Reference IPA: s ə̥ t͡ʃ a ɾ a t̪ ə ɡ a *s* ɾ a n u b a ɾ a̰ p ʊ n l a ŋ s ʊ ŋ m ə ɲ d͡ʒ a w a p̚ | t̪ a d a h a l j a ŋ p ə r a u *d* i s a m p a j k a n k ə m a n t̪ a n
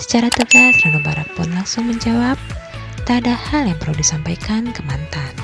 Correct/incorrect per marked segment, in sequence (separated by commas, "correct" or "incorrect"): correct, correct